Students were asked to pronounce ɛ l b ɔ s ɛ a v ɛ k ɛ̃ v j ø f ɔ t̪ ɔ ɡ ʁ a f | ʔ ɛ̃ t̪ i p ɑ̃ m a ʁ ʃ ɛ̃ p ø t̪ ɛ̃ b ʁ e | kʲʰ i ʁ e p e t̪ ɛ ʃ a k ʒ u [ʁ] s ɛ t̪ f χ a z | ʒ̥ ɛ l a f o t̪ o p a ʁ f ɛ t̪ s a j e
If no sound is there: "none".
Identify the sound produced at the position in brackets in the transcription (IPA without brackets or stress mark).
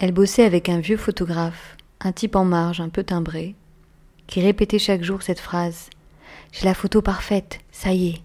ʁ